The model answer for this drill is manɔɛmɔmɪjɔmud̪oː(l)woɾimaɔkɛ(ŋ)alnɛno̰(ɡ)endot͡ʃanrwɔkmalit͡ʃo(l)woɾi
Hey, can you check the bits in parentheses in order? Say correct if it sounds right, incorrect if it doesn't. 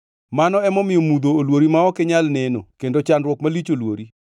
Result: correct, incorrect, incorrect, correct

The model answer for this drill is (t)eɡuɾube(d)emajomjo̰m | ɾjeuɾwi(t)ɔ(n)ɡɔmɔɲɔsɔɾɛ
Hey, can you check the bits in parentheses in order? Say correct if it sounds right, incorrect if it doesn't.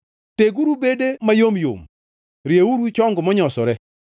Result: correct, correct, incorrect, incorrect

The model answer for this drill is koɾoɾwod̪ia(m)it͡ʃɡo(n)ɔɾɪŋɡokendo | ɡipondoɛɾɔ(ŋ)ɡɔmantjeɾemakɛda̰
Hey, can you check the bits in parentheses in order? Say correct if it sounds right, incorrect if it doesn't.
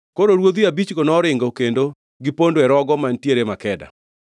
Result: incorrect, correct, incorrect

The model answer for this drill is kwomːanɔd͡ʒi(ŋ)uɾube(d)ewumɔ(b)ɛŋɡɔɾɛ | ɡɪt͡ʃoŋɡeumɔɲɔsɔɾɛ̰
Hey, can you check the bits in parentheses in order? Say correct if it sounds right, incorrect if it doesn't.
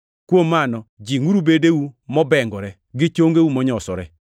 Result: correct, correct, correct

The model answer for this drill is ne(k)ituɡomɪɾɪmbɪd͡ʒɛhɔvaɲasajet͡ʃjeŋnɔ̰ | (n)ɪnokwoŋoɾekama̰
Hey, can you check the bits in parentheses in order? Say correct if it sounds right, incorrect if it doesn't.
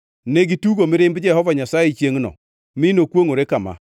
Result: incorrect, incorrect

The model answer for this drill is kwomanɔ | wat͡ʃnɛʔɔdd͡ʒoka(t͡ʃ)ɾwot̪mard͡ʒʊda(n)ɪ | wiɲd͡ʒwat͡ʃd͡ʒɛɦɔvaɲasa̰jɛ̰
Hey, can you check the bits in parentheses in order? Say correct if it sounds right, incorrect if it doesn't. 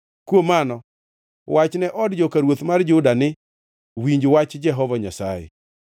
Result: incorrect, correct

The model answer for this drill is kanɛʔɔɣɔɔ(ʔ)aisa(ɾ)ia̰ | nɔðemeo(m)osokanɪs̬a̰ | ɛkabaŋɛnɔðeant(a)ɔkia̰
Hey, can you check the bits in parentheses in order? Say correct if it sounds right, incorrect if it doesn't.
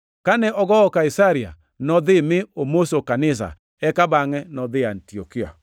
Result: incorrect, correct, correct, incorrect

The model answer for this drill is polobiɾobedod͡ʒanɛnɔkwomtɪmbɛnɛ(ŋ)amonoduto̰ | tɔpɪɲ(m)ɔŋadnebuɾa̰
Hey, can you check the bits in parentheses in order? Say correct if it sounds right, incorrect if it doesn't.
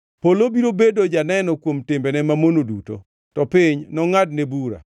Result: incorrect, incorrect

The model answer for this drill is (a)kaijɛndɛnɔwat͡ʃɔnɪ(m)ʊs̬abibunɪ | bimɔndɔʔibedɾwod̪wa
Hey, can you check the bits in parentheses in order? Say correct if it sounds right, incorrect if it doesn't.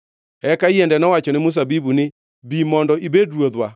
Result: incorrect, correct

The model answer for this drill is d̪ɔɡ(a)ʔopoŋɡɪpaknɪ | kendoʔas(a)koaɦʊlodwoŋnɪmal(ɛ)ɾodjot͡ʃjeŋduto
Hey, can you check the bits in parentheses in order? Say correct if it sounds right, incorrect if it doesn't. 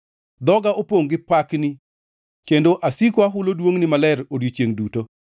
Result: correct, incorrect, correct

